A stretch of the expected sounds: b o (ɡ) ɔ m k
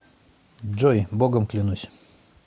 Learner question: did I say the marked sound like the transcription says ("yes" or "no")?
yes